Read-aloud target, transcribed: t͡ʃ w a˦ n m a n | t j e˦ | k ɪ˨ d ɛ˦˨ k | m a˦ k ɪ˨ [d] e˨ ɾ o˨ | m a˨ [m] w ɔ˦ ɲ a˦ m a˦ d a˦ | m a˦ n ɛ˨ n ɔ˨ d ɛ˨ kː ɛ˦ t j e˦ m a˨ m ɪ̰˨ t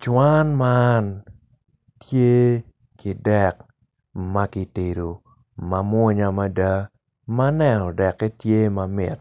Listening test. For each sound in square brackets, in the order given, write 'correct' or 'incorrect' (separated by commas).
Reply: incorrect, correct